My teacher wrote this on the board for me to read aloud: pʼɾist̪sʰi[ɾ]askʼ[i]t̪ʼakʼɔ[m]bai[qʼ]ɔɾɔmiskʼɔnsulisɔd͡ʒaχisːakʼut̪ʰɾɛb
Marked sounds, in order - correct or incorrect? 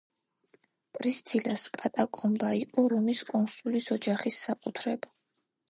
incorrect, incorrect, correct, correct

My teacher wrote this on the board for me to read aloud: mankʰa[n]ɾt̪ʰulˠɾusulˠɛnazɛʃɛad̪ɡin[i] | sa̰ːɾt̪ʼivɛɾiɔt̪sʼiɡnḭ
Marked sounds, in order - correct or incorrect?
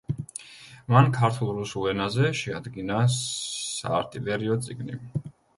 incorrect, incorrect

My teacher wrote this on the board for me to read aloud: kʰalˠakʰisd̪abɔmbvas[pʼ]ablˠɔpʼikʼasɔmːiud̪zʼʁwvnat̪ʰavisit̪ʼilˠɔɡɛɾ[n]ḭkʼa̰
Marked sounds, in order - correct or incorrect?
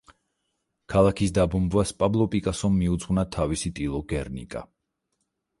correct, correct

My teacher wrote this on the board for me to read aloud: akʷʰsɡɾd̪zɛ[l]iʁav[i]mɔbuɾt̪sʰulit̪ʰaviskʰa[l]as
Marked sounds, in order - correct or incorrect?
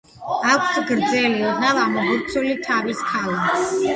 correct, incorrect, correct

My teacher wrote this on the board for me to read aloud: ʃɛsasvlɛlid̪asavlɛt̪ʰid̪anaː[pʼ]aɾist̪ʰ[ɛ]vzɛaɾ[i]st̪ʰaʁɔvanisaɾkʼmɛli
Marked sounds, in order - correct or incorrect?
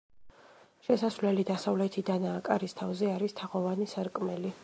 incorrect, incorrect, correct

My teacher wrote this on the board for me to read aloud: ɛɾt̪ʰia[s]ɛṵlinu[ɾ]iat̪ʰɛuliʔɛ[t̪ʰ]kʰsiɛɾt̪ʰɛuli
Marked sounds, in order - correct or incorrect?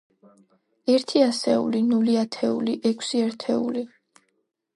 correct, incorrect, incorrect

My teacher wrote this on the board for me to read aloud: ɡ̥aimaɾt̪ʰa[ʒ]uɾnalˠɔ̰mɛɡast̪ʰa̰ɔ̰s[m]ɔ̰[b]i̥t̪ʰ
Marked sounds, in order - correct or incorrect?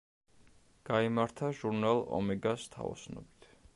correct, incorrect, correct

